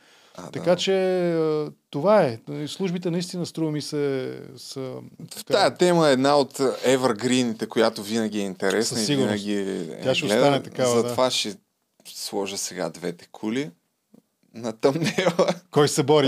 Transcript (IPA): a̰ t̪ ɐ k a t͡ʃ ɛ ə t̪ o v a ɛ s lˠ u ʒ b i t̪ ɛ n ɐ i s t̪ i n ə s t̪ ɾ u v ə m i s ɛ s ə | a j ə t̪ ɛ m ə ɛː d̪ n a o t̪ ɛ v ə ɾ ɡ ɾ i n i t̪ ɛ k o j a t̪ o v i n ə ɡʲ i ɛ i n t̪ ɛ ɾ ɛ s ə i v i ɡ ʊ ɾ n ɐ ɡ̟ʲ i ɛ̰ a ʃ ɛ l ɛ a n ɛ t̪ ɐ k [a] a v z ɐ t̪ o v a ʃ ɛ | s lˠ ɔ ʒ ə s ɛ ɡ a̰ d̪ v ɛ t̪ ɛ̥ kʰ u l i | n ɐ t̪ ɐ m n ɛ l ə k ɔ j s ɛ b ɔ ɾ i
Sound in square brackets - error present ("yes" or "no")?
no